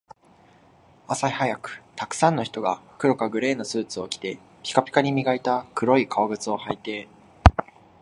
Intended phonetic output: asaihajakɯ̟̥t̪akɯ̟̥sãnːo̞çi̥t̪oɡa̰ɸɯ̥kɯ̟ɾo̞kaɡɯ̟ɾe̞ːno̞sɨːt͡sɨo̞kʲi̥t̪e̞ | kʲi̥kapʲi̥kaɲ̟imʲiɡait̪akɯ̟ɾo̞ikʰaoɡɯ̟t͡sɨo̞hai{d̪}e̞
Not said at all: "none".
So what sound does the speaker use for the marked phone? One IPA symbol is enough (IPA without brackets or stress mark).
t̪